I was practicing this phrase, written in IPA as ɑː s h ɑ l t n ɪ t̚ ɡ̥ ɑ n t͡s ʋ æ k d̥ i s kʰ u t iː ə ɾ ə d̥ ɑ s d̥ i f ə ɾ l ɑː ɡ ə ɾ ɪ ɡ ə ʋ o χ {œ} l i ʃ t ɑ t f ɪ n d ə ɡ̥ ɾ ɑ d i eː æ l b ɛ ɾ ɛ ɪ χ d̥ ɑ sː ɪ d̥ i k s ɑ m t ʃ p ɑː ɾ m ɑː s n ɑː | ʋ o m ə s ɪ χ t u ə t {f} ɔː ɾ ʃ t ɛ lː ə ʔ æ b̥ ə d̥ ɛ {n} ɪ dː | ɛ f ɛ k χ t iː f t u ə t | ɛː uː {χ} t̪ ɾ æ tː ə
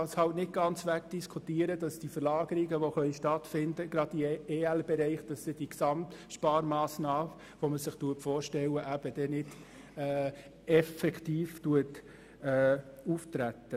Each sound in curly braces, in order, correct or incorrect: correct, correct, correct, incorrect: f

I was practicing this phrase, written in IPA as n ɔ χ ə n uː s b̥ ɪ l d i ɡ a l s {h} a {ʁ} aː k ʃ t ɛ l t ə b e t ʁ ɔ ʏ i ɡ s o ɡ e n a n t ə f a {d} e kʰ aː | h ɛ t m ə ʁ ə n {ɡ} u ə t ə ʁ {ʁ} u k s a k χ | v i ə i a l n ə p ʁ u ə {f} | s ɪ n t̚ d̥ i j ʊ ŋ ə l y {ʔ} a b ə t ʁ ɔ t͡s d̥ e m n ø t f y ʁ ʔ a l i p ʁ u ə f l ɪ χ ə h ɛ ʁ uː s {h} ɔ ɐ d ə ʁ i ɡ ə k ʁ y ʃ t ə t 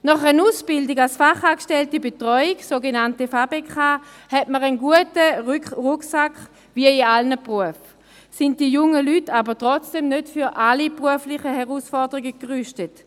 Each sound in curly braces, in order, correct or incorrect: incorrect: f, incorrect: χ, incorrect: b, correct, correct, correct, incorrect: t, incorrect: f

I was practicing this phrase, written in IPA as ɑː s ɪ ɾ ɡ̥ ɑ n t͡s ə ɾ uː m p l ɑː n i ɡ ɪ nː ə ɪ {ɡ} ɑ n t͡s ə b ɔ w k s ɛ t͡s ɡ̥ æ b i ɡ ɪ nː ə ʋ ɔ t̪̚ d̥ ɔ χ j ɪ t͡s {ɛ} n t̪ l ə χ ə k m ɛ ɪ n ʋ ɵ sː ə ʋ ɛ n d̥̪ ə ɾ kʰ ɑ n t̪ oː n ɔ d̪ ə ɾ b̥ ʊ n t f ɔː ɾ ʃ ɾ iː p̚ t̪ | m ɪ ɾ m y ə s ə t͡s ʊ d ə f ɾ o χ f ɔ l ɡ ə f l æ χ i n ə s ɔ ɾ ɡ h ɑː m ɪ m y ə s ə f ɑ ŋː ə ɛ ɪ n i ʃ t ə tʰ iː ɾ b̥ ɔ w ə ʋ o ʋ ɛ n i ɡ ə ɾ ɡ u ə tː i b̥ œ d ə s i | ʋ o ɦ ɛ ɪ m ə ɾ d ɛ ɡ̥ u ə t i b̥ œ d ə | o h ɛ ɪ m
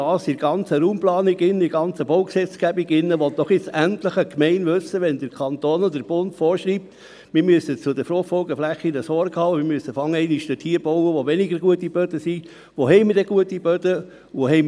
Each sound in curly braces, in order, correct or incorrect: correct, incorrect: æ

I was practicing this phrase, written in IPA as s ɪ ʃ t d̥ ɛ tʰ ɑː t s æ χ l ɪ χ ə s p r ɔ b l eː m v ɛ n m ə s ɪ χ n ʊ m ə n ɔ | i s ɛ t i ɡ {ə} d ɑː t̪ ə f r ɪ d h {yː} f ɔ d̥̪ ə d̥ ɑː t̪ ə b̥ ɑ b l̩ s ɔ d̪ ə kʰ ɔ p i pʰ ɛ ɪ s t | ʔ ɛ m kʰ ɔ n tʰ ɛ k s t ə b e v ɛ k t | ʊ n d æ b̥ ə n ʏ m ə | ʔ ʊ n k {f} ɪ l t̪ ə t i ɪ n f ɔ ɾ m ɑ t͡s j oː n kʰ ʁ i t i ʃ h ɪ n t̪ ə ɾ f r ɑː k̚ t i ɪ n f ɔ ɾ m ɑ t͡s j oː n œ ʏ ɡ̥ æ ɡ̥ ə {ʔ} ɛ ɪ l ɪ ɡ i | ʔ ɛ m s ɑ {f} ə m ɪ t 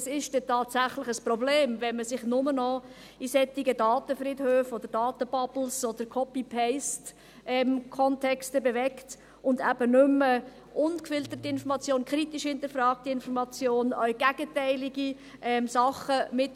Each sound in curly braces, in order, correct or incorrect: correct, incorrect: øː, correct, incorrect: t, incorrect: χ

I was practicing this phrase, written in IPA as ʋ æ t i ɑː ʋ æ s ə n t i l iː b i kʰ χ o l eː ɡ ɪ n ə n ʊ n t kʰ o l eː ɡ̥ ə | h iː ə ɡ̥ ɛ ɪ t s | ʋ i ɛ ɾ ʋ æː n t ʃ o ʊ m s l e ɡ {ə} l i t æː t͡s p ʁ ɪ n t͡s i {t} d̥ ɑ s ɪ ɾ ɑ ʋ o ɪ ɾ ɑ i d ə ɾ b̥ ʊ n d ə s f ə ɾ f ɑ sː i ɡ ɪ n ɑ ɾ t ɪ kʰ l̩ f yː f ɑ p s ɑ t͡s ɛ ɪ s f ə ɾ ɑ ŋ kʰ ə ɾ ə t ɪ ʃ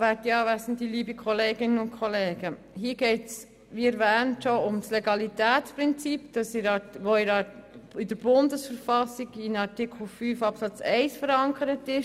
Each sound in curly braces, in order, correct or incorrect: incorrect: ɑ, incorrect: p

